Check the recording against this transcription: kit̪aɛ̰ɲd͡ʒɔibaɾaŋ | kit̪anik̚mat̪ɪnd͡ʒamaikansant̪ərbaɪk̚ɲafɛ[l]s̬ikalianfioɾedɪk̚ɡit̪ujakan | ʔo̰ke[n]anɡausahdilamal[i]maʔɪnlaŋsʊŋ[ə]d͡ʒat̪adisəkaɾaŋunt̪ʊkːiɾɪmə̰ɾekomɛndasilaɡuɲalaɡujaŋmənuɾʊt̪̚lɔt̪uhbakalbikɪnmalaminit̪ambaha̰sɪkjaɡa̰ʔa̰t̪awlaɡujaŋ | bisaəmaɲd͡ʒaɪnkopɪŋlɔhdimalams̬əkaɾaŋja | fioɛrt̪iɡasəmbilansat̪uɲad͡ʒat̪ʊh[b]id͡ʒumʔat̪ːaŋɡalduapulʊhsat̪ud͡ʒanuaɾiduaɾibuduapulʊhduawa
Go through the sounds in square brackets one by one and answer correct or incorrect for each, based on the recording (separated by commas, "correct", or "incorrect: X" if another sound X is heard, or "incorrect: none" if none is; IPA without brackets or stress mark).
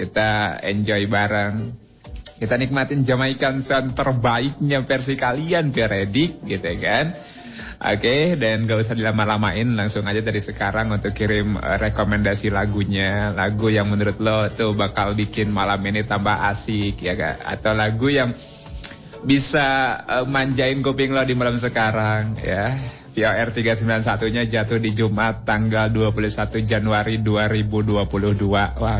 incorrect: r, incorrect: d, incorrect: a, incorrect: a, incorrect: d